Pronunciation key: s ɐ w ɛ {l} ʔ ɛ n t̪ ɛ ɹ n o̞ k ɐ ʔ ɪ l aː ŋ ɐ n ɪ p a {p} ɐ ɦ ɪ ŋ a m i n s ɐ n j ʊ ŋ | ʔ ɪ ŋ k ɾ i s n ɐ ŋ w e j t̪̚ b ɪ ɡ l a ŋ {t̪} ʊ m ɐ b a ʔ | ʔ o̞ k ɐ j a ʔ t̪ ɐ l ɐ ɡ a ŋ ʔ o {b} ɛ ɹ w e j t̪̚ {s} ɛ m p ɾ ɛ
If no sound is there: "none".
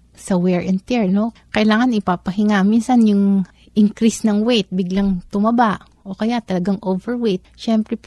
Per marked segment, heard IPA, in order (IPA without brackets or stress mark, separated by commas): ɹ, p, t̪, v, ʃ